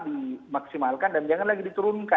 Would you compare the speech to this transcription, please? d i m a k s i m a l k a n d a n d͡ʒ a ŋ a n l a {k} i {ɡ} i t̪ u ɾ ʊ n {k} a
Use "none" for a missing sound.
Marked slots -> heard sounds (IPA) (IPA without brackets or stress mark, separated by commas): ɡ, d, k